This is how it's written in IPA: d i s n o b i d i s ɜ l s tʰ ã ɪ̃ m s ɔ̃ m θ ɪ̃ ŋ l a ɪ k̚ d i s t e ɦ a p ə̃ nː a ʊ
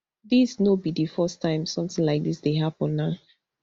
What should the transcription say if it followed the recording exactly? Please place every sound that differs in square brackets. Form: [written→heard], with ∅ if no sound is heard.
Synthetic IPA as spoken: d i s n o b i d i [s→f] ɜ [l→∅] s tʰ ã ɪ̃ m s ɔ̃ m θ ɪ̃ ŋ l a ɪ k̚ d i s [t→d] e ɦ a p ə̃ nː a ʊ